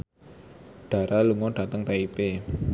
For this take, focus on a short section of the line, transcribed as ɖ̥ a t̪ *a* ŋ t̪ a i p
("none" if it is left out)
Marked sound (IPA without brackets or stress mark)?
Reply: ə